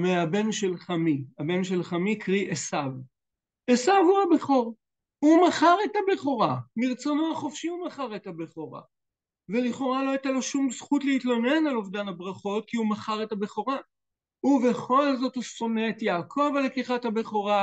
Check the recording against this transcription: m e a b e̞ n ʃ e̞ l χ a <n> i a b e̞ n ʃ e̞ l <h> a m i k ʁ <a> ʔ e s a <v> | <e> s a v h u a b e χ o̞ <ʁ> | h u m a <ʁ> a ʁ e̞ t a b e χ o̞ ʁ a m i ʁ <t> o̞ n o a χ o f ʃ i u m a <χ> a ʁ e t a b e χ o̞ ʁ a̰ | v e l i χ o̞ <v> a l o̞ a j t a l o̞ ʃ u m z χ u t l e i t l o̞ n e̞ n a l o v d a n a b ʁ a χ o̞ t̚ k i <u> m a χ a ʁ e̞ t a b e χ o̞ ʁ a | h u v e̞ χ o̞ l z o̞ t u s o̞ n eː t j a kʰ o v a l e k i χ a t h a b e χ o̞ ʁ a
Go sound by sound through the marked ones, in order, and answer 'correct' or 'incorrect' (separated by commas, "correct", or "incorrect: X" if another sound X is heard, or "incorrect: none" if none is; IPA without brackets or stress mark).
incorrect: m, incorrect: χ, incorrect: i, correct, correct, correct, incorrect: χ, incorrect: t͡s, correct, incorrect: ʁ, correct